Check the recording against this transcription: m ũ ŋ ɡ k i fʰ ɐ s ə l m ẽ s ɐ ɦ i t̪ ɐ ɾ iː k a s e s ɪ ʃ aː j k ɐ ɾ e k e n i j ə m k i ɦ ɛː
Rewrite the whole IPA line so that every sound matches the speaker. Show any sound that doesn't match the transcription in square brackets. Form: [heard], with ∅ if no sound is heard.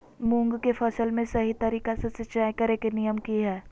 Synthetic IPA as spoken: m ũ ŋ ɡ k [e] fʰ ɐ s ə l m ẽ s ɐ ɦ i t̪ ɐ ɾ iː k a s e s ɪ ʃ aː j k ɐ ɾ e k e n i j ə m k i ɦ ɛː